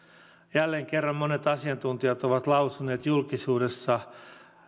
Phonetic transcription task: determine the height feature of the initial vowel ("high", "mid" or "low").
low